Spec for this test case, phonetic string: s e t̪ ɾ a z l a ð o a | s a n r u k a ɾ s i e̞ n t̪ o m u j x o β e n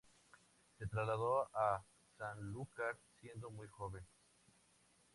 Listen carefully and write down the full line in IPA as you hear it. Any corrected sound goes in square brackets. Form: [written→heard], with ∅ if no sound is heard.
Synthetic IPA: s e t̪ ɾ a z l a ð o a | s a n [r→l] u k a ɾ s [i→j] e̞ n [t̪→d̪] o m u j x o β e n

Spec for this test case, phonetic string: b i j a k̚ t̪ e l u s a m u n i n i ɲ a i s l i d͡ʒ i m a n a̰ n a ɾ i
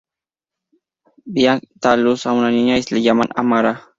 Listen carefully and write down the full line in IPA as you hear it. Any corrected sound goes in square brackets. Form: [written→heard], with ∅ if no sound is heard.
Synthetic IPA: b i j a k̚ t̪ [e→a] l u s a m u n [i→a] n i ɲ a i s l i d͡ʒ [i→a] m a n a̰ [n→m] a ɾ [i→a]

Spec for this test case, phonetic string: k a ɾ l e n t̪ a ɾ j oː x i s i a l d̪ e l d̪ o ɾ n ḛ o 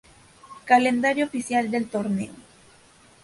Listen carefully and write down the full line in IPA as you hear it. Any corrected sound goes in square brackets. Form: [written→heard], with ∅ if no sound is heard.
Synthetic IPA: k a [ɾ→∅] l e n [t̪→d̪] a ɾ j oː [x→f] i s [i→j] a l d̪ e l [d̪→t̪] o ɾ n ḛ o

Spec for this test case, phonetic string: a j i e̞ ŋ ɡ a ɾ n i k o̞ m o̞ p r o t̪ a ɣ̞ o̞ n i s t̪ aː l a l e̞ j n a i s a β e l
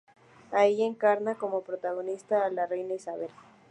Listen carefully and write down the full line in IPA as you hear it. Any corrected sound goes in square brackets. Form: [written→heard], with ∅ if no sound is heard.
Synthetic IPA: a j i e̞ ŋ [ɡ→k] a ɾ n [i→a] k o̞ m o̞ p [r→ɾ] o t̪ a ɣ̞ o̞ n i s t̪ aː l a [l→r] e̞ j n a i s a β e l

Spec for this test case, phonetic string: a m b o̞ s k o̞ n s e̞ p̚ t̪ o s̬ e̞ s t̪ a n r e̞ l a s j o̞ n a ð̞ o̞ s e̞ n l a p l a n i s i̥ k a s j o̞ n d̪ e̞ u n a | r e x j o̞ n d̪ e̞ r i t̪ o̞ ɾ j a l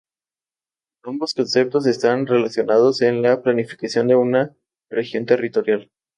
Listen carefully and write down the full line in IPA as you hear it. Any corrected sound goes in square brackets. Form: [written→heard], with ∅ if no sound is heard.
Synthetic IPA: a m b o̞ s k o̞ n s e̞ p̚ t̪ o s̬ e̞ s t̪ a n r e̞ l a s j o̞ n a ð̞ o̞ s e̞ n l a p l a n i [s→f] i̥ k a s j o̞ n d̪ e̞ u n a | r e x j o̞ n [d̪→t̪] e̞ r i t̪ o̞ ɾ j a l

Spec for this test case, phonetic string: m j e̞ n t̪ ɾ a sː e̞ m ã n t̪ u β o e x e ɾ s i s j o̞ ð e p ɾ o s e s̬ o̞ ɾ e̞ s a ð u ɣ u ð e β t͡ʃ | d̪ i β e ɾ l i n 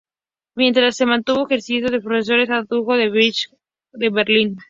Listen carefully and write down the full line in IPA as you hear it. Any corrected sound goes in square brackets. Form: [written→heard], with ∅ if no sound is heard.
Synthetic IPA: m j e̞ n t̪ ɾ a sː e̞ m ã n t̪ u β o e x e ɾ s i s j o̞ ð e p ɾ o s e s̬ o̞ ɾ e̞ s a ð u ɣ [u→o] ð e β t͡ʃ | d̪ [i→e] β e ɾ l i n

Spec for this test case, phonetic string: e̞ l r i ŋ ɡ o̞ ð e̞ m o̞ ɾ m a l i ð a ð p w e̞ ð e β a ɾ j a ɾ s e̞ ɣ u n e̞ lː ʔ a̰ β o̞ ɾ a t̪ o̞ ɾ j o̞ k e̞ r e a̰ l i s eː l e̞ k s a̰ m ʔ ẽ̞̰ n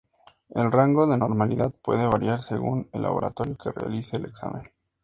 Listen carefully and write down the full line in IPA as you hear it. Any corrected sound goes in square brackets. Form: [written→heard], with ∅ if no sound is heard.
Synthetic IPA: e̞ l r [i→a] ŋ ɡ o̞ ð e̞ [m→n] o̞ ɾ m a l i ð a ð p w e̞ ð e β a ɾ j a ɾ s e̞ ɣ u n e̞ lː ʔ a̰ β o̞ ɾ a t̪ o̞ ɾ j o̞ k e̞ r e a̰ l i s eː l e̞ k s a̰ m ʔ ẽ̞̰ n

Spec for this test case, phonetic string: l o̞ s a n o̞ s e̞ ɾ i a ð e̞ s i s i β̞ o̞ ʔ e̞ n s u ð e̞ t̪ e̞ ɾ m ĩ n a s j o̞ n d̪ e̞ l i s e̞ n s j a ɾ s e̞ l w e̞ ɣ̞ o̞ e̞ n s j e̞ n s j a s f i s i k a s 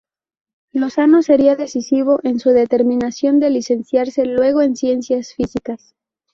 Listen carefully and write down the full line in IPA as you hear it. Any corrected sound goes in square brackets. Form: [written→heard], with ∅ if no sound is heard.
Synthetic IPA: l o̞ s a n o̞ s e̞ ɾ i a ð e̞ s i s i β̞ o̞ ʔ e̞ n s u ð e̞ t̪ e̞ ɾ m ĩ n a s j o̞ n d̪ e̞ l i s e̞ n s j a ɾ s e̞ l w e̞ ɣ̞ o̞ e̞ n s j e̞ n s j a s f i s i k a s

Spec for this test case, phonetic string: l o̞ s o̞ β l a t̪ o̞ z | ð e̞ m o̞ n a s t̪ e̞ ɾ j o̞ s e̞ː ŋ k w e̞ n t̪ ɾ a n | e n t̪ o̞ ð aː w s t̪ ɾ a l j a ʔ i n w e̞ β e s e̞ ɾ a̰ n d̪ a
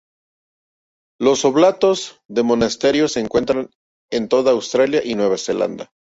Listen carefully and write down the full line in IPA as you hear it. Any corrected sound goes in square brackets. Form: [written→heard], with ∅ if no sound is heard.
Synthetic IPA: l o̞ s o̞ β l a t̪ o̞ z | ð e̞ m o̞ n a s t̪ e̞ ɾ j o̞ s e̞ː ŋ k w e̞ n t̪ ɾ a n | e n t̪ o̞ ð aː w s t̪ ɾ a l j a ʔ i n w e̞ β [e→a] s e̞ [ɾ→l] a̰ n d̪ a

